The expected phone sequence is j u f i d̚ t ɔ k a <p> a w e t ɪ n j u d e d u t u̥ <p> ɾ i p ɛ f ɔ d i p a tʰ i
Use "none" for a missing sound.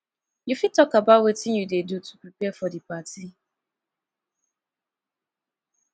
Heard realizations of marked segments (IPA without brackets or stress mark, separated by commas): b, p